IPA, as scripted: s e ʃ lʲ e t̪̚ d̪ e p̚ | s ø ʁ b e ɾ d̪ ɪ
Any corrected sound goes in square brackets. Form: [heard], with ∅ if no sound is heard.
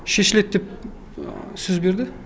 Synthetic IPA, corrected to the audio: [ʃ] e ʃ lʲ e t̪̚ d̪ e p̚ | s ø [z] b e ɾ d̪ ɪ